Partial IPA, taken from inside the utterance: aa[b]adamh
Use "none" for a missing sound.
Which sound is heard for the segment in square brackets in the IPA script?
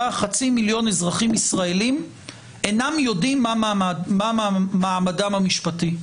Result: m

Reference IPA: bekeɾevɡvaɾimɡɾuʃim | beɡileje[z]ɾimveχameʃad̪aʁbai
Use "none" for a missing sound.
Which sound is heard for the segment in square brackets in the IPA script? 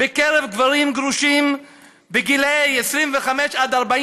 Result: s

